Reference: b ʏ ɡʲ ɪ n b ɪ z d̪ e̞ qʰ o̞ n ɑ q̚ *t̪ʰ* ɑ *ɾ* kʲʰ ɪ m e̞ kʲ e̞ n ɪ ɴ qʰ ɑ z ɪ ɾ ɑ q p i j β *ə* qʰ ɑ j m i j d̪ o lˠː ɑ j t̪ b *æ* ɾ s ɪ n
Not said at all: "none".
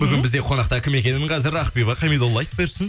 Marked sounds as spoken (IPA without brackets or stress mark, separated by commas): t̪, none, ɑ, e